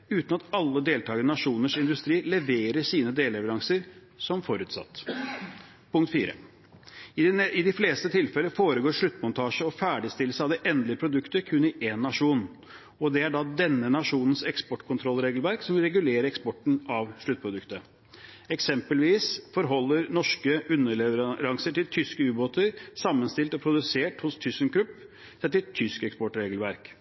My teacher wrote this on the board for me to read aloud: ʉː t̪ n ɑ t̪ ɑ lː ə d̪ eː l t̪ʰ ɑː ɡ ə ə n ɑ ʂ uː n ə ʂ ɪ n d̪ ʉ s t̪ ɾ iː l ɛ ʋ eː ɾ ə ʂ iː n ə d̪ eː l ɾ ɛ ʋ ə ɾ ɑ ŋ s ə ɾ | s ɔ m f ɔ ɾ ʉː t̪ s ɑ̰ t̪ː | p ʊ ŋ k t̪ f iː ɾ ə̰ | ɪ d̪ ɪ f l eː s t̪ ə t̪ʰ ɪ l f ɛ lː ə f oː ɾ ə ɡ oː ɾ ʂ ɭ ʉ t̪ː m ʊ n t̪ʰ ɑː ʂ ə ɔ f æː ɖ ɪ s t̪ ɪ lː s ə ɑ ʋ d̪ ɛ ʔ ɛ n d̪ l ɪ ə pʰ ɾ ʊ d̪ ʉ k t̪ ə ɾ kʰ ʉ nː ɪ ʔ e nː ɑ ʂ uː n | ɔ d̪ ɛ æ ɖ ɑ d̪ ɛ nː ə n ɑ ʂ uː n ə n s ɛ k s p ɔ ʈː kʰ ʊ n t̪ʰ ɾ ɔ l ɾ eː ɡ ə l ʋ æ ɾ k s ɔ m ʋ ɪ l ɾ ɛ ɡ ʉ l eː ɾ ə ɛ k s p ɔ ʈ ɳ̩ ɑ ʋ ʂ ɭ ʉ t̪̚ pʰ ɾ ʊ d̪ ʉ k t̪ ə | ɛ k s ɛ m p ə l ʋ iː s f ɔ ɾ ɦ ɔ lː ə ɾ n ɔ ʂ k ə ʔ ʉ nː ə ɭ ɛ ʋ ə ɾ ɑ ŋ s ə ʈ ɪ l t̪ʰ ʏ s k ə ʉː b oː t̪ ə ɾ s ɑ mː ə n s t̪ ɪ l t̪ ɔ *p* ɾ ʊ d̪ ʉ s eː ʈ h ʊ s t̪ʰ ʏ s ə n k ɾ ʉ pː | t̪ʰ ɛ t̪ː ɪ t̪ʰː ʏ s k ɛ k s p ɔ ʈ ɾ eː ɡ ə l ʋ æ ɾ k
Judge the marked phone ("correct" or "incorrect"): incorrect